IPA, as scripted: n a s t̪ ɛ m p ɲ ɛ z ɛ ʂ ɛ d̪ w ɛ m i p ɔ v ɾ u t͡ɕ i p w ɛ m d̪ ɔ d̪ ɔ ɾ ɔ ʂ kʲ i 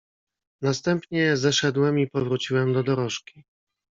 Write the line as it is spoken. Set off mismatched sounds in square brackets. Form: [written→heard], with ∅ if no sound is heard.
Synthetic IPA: n a s t̪ ɛ m p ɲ ɛ z ɛ ʂ ɛ d̪ w ɛ m i p ɔ v ɾ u t͡ɕ i [p→∅] w ɛ m d̪ ɔ d̪ ɔ ɾ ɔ ʂ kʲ i